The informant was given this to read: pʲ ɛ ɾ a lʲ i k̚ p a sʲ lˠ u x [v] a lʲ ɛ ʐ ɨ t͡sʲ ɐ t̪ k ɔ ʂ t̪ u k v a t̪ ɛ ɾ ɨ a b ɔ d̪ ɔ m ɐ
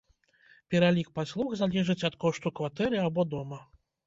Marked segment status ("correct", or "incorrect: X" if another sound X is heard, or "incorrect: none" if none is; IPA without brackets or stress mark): incorrect: z